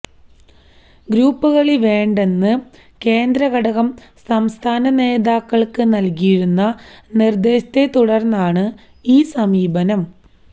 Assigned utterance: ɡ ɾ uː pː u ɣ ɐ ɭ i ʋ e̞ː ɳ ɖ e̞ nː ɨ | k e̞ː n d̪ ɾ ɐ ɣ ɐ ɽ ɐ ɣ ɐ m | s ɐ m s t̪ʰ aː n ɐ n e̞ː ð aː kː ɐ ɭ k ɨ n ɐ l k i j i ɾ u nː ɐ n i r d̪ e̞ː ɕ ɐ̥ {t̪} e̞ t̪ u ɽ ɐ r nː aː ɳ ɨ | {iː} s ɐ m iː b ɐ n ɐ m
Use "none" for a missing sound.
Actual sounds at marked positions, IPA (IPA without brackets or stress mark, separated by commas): t̪, iː